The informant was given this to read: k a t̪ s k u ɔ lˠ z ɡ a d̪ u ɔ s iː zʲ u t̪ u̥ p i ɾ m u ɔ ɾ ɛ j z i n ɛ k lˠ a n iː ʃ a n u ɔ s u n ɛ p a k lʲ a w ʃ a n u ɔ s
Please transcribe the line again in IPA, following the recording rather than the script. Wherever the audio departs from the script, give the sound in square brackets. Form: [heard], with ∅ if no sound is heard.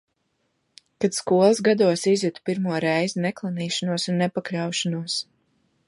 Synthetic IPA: k a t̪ s k u ɔ lˠ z ɡ a d̪ u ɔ s [i] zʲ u t̪ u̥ p i ɾ m u ɔ ɾ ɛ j z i n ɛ k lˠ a n iː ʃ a n u ɔ s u [nː] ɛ p a k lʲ a w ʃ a n u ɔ s